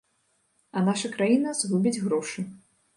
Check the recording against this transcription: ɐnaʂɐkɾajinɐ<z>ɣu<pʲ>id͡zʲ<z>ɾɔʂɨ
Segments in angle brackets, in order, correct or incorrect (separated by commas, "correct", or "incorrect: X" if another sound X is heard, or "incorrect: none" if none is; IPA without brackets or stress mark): correct, incorrect: bʲ, incorrect: ɣ